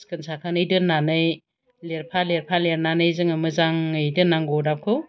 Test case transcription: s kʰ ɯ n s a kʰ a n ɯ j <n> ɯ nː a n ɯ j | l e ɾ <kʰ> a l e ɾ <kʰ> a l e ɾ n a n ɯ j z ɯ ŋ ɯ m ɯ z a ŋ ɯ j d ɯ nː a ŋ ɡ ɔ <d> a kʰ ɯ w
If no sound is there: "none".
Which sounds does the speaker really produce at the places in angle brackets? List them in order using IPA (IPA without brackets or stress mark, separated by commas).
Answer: d, pʰ, pʰ, d